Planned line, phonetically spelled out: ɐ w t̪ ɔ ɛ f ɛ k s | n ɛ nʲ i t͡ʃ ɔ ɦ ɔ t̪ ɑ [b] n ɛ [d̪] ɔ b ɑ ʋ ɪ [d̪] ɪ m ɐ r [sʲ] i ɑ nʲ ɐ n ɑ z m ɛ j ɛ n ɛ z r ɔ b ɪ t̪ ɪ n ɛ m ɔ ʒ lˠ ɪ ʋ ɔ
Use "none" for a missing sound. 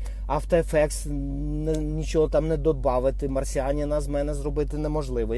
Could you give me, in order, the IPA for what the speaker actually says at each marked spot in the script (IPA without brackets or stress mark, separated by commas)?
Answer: m, d̪, t̪, sʲ